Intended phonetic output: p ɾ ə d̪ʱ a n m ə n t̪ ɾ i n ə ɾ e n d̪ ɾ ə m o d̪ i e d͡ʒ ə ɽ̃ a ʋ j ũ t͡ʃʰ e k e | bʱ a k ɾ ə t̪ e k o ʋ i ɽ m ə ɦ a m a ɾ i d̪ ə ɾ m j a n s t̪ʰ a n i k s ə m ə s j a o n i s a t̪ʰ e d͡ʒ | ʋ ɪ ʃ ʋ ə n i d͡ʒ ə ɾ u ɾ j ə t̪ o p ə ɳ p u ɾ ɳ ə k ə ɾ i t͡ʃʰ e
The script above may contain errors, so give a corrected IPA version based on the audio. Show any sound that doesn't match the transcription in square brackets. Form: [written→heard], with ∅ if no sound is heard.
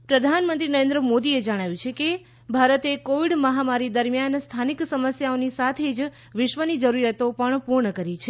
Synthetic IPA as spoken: p ɾ ə d̪ʱ a n m ə n t̪ ɾ i n ə ɾ e n d̪ ɾ ə m o d̪ i e d͡ʒ ə ɽ̃ a ʋ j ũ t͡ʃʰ e k e | bʱ a [k→∅] ɾ ə t̪ e k o ʋ i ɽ m ə ɦ a m a ɾ i d̪ ə ɾ m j a n s t̪ʰ a n i k s ə m ə s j a o n i s a t̪ʰ e d͡ʒ | ʋ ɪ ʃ ʋ ə n i d͡ʒ ə ɾ u ɾ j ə t̪ o p ə ɳ p u ɾ ɳ ə k ə ɾ i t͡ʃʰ e